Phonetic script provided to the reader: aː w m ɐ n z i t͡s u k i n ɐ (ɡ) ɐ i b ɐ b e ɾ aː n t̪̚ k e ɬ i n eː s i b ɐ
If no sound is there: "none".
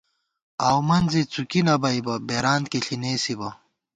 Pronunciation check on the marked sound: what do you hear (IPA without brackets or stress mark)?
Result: b